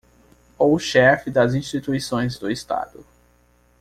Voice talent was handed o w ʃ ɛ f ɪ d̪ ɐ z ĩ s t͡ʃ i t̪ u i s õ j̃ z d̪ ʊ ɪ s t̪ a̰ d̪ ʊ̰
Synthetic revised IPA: o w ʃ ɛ f ɪ d̪ ɐ z ĩ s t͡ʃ i t̪ u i s õ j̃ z d̪ ʊ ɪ s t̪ a̰ d̪ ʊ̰